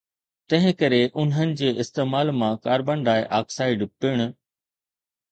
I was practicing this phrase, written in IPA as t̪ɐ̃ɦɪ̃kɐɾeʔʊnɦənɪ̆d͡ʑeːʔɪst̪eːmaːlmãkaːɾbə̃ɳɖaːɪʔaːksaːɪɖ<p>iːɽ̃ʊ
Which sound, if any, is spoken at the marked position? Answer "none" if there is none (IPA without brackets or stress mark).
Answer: p